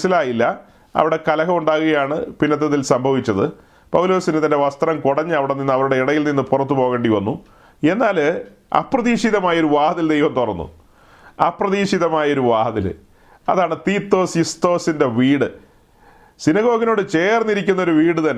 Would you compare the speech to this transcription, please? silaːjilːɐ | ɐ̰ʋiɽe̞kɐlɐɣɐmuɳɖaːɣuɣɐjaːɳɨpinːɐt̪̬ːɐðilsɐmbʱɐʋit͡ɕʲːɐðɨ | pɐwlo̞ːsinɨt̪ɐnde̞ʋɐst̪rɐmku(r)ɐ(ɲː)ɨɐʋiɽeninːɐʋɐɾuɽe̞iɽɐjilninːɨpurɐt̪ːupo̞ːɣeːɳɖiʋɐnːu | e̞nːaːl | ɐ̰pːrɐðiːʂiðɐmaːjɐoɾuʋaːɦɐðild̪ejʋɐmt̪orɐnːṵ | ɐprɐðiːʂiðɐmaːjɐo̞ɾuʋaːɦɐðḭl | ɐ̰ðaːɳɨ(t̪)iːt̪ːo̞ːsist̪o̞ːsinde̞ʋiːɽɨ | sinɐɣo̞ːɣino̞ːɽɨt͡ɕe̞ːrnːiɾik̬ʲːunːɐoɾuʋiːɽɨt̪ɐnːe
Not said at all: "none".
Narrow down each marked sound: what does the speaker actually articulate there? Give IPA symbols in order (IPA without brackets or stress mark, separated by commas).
ɽ, ɲː, t̪